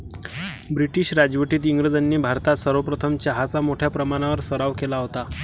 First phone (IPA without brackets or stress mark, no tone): b